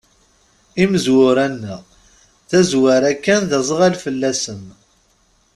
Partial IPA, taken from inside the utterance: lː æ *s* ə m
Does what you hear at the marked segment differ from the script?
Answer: no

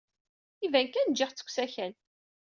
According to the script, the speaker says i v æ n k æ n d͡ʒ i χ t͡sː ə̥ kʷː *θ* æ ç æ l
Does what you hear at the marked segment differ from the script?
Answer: yes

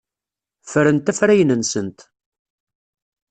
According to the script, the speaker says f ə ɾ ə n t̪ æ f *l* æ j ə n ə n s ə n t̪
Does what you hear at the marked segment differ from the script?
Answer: yes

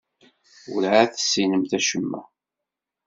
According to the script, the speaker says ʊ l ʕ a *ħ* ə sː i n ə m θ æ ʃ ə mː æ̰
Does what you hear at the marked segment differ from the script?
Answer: yes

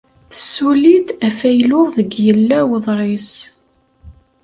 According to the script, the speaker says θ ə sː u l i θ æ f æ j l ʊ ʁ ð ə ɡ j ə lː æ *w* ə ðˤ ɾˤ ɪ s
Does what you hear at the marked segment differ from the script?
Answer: no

